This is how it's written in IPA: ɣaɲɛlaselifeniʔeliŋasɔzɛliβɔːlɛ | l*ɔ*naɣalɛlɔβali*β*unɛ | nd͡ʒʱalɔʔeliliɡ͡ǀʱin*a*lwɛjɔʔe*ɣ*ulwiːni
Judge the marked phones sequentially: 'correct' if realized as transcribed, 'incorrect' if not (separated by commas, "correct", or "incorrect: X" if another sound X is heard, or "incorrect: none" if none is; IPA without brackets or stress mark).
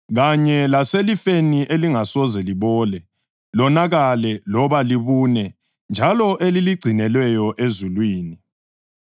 correct, correct, incorrect: ɛ, incorrect: z